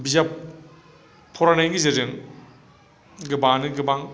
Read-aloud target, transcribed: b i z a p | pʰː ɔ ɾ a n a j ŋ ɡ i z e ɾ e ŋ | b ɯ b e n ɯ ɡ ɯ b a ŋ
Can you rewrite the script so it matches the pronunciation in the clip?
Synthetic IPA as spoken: b i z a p | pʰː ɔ ɾ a n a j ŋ ɡ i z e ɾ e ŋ | ɡ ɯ b a n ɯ ɡ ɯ b a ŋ